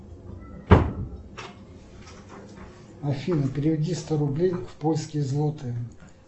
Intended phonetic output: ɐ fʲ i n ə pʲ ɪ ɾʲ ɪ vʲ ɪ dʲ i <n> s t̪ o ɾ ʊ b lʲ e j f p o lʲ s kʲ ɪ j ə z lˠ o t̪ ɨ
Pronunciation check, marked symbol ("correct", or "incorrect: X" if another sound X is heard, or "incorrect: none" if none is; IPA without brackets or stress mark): incorrect: none